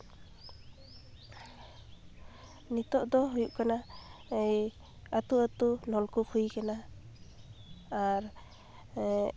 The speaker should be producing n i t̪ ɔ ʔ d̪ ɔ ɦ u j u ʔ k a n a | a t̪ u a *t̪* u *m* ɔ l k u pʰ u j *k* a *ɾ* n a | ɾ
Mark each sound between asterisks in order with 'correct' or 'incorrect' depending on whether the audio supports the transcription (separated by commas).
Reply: correct, incorrect, correct, incorrect